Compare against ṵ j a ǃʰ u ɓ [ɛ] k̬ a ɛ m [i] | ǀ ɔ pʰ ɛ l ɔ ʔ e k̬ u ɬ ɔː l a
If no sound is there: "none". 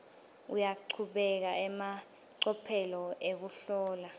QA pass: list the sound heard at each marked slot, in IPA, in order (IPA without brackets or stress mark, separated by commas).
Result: ɛ, a